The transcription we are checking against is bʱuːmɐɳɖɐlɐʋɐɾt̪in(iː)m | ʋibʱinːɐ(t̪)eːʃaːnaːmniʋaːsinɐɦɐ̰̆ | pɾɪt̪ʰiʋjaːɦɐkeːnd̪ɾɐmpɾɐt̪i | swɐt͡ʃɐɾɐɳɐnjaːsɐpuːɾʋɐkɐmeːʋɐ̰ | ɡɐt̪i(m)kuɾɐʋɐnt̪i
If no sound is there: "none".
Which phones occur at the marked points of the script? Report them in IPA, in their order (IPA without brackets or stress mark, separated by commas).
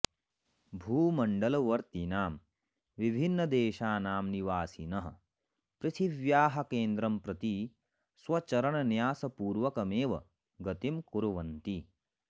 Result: aː, d̪, m